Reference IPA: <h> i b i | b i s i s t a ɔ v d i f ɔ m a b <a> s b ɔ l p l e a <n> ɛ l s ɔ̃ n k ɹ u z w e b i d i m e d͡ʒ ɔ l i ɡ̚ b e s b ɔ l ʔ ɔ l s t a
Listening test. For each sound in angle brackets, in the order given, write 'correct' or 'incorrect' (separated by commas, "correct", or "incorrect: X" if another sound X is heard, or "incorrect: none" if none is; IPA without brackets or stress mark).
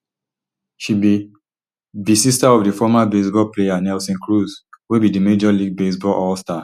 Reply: incorrect: ʃ, incorrect: e, correct